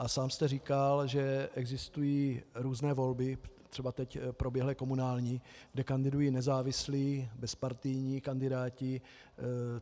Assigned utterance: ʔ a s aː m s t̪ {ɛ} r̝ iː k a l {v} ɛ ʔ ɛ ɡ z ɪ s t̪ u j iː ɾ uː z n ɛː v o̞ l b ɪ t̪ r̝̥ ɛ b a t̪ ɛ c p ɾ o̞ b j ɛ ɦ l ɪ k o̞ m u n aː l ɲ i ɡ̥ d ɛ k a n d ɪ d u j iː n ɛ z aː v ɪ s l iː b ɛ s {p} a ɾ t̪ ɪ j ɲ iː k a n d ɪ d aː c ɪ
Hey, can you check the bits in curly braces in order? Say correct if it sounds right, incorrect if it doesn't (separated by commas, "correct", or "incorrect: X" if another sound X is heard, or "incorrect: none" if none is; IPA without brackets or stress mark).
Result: correct, incorrect: ʒ, correct